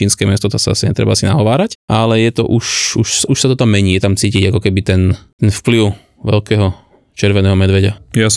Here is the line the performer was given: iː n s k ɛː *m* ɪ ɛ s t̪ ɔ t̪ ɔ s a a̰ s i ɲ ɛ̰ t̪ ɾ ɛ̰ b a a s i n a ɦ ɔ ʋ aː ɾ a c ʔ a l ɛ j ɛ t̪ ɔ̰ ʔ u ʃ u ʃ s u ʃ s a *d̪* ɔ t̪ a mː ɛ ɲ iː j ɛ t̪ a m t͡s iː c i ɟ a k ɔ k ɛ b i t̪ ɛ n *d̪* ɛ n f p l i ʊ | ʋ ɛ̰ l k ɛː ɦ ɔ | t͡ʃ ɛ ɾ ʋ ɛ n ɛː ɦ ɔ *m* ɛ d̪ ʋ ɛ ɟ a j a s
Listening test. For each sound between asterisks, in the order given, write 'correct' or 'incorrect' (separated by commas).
correct, incorrect, incorrect, correct